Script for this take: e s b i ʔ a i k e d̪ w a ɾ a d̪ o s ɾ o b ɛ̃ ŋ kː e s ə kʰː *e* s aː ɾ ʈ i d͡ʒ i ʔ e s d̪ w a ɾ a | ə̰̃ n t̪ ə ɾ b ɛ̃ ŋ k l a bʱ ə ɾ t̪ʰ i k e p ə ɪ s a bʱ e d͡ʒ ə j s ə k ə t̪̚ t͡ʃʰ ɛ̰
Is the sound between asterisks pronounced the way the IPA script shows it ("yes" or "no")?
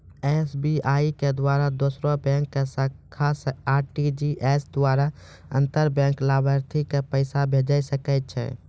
no